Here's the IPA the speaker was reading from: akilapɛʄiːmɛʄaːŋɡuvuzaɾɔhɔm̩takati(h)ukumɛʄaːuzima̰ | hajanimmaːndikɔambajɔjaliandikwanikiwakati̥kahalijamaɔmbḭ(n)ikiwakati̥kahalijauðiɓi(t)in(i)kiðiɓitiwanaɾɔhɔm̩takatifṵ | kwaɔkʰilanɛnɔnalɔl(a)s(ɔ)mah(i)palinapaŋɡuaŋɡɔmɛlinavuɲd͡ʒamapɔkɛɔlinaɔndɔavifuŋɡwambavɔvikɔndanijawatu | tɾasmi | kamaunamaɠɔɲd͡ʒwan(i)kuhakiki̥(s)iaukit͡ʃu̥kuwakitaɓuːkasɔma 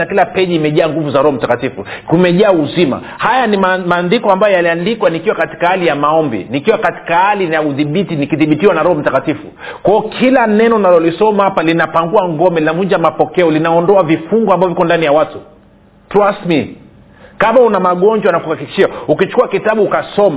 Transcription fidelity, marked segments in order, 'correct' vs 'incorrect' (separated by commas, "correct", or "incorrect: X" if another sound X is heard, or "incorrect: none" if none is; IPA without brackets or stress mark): incorrect: f, correct, correct, correct, incorrect: i, correct, incorrect: a, incorrect: a, incorrect: ʃ